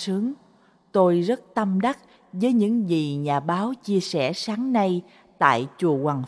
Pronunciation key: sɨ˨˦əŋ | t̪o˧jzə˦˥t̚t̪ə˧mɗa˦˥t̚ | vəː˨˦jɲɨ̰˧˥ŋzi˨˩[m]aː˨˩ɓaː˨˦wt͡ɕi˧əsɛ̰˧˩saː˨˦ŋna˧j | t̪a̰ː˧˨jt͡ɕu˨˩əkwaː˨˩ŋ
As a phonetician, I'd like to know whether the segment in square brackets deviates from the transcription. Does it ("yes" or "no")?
yes